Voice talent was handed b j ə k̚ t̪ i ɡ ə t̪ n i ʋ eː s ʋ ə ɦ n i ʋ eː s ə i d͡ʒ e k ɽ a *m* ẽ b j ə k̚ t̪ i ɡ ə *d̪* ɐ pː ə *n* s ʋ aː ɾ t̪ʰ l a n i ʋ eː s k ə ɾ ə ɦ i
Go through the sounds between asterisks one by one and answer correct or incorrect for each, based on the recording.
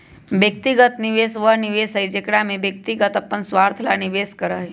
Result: correct, incorrect, correct

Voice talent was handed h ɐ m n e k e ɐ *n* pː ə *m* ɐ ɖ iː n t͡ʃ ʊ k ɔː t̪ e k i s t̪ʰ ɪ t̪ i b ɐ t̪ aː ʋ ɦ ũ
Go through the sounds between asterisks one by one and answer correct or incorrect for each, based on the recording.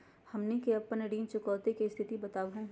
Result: incorrect, incorrect

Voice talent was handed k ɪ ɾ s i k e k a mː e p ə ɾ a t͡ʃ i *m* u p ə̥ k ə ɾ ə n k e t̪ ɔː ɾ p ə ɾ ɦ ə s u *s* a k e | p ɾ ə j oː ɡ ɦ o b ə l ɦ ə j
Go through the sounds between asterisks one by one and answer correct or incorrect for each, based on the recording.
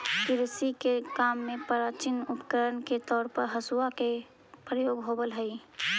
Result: incorrect, incorrect

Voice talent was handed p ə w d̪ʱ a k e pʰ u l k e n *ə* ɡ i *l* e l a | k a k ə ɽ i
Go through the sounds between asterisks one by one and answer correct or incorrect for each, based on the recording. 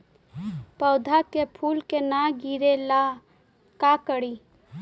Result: incorrect, incorrect

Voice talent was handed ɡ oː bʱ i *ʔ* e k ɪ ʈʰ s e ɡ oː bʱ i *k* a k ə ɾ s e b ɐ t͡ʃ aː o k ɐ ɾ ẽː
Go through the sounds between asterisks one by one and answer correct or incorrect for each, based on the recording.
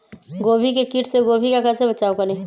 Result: incorrect, correct

